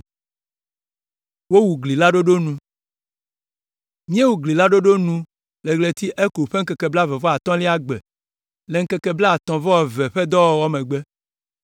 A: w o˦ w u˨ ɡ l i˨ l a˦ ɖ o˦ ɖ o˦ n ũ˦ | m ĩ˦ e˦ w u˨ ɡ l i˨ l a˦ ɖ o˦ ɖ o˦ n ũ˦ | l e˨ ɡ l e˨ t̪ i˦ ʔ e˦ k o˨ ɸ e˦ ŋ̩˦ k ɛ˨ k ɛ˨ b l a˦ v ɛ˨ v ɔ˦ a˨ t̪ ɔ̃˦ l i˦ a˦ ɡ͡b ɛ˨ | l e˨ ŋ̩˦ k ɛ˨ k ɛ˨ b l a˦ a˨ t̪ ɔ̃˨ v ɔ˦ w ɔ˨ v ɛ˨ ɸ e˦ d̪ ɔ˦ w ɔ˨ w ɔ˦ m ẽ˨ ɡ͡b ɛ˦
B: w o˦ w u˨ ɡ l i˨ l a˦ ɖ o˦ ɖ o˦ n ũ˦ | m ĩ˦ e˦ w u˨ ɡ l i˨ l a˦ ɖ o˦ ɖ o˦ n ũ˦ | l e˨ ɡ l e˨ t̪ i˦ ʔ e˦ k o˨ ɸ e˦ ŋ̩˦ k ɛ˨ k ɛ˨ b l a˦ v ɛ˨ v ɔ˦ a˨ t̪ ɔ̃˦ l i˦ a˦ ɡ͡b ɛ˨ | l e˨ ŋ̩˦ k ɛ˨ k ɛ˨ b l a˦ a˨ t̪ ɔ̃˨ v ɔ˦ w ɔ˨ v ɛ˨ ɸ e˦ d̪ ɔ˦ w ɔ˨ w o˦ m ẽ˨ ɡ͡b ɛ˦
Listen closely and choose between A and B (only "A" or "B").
A